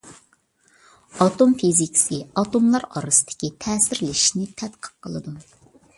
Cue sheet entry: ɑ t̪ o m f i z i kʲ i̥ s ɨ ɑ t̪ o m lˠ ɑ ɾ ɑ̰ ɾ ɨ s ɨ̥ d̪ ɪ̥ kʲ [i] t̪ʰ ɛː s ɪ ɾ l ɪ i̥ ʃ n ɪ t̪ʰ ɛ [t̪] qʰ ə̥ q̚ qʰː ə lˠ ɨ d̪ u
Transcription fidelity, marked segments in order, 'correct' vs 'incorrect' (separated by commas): correct, correct